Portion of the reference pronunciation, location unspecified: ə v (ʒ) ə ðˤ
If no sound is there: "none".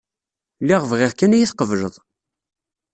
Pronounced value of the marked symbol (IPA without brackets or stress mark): ʒ